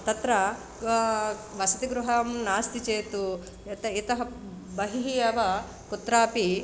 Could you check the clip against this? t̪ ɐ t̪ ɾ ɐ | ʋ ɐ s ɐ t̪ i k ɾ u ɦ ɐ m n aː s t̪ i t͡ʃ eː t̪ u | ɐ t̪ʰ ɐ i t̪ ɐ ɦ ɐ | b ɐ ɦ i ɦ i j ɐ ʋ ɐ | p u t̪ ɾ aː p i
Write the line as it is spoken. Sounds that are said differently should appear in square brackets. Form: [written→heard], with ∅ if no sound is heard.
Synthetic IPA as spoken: t̪ ɐ t̪ ɾ ɐ | ʋ ɐ s ɐ t̪ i [k→ɡ] ɾ u ɦ ɐ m n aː s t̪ i t͡ʃ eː t̪ u | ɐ [t̪ʰ→t̪] ɐ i t̪ ɐ ɦ ɐ | b ɐ ɦ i ɦ i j ɐ ʋ ɐ | [p→k] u t̪ ɾ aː p i